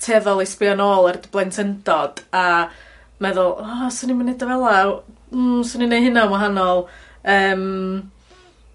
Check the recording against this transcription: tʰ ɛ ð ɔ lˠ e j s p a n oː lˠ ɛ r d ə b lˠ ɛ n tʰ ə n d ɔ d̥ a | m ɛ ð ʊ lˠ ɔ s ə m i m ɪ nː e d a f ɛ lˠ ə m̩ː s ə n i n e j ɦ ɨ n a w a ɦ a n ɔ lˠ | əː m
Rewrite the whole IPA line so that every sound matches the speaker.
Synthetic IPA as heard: tʰ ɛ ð ɔ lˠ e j s p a n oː lˠ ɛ r d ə b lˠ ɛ n tʰ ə n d ɔ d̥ a | m ɛ ð ʊ lˠ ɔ s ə n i m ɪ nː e d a v ɛ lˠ a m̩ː s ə n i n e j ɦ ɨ n a w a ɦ a n ɔ lˠ | əː m